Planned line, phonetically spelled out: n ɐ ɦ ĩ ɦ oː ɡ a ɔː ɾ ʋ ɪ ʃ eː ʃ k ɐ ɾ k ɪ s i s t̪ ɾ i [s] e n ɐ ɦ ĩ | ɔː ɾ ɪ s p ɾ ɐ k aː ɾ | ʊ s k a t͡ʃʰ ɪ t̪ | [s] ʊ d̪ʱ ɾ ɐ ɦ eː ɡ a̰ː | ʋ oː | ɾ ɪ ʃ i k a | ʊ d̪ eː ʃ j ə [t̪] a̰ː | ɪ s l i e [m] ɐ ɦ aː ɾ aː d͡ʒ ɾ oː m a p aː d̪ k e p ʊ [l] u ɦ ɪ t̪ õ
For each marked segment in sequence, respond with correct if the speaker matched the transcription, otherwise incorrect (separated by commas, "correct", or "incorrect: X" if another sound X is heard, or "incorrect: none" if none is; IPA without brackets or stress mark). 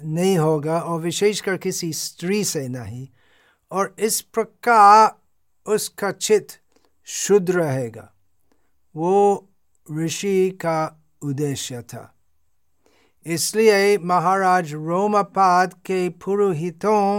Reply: correct, incorrect: ʃ, incorrect: t̪ʰ, correct, incorrect: ɾ